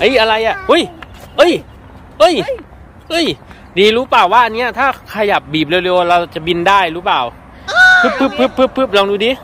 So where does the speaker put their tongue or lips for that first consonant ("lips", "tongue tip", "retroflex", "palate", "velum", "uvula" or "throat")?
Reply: throat